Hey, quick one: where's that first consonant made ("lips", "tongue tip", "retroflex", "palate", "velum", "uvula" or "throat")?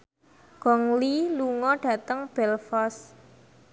velum